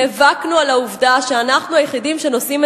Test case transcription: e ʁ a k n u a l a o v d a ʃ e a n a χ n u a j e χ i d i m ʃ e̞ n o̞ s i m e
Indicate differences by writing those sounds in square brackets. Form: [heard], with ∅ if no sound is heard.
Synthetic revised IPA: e [v] a k n u a l a [u] v d a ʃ e a n a χ n u a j e χ i d i m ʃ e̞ n o̞ s i m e